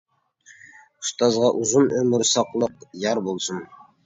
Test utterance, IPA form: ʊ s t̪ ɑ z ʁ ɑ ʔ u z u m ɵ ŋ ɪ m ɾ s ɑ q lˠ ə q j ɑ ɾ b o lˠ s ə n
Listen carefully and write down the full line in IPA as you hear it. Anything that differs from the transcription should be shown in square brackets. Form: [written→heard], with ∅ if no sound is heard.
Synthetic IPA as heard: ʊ s t̪ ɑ z ʁ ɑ ʔ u z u [m→n] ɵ [ŋ→m] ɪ [m→∅] ɾ s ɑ q lˠ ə q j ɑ ɾ b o lˠ s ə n